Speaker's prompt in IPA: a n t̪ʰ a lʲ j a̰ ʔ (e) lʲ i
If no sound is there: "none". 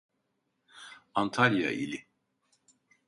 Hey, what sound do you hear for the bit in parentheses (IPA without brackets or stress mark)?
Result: i